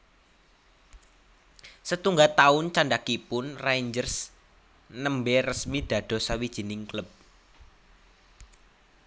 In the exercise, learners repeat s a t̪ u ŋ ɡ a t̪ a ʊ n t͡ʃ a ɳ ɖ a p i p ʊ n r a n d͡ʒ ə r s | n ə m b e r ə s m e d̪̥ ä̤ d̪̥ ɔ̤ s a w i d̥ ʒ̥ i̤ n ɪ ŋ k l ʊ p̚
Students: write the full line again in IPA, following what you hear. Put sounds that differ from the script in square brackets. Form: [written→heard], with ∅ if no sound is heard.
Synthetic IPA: s [a→ə] t̪ u ŋ ɡ a t̪ a ʊ n t͡ʃ a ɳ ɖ a [p→k] i p ʊ n r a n d͡ʒ ə r s | n ə m b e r ə s m [e→i] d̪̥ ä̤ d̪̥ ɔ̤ s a w i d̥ ʒ̥ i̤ n ɪ ŋ k l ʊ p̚